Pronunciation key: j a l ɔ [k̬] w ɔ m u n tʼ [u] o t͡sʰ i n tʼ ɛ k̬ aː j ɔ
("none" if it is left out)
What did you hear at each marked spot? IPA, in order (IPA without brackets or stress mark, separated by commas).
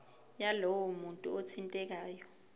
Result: none, u